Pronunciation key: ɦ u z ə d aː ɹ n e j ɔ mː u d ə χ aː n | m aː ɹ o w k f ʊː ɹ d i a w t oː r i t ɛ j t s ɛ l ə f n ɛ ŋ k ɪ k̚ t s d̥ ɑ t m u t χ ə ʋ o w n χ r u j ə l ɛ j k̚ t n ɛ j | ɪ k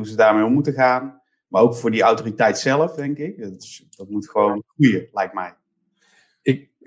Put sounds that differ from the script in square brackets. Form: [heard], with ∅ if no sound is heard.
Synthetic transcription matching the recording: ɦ u z ə d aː ɹ [m] e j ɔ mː u [t] ə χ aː n | m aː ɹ o w k f ʊː ɹ d i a w t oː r i t ɛ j t s ɛ l ə f [d] ɛ ŋ k ɪ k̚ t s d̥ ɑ t m u t χ ə ʋ o w n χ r u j ə l ɛ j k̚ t [m] ɛ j | ɪ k